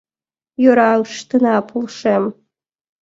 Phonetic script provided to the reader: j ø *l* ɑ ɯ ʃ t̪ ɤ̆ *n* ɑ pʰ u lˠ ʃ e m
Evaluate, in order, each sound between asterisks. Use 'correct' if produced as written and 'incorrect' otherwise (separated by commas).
incorrect, correct